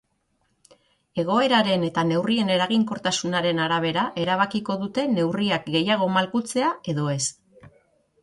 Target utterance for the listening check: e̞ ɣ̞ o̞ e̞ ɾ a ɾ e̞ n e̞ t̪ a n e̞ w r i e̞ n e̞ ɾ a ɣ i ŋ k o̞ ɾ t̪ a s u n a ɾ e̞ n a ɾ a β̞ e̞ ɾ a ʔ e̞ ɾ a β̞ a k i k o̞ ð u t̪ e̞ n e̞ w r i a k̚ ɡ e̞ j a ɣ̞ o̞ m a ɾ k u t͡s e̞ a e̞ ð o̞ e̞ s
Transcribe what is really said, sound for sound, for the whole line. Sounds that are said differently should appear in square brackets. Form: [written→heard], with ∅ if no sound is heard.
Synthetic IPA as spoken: e̞ ɣ̞ o̞ e̞ ɾ a ɾ e̞ n e̞ t̪ a n e̞ w r i e̞ n e̞ ɾ a ɣ i ŋ k o̞ ɾ t̪ a s u n a ɾ e̞ n a ɾ a β̞ e̞ ɾ a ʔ e̞ ɾ a β̞ a k i k o̞ ð u t̪ e̞ n e̞ w r i a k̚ ɡ e̞ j a ɣ̞ o̞ m a [ɾ→l] k u t͡s e̞ a e̞ ð o̞ e̞ s